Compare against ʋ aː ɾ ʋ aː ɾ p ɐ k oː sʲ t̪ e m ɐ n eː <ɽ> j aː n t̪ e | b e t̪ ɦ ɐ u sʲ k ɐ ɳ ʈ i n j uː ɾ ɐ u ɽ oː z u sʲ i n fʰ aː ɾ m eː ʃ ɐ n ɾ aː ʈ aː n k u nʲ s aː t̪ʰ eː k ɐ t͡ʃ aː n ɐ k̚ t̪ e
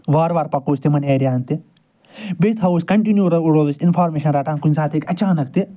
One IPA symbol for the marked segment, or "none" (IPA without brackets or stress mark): ɾ